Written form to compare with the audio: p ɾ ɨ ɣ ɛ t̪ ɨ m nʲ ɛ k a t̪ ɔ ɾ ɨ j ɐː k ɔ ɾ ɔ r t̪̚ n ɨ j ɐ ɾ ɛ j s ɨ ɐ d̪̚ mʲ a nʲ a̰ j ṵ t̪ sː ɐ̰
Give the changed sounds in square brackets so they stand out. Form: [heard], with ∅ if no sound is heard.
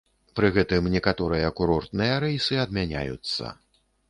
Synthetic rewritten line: p ɾ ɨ ɣ ɛ t̪ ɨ m nʲ ɛ k a t̪ ɔ ɾ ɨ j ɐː k [u] ɾ ɔ r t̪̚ n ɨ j ɐ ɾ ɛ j s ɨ ɐ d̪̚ mʲ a nʲ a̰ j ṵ t̪ sː ɐ̰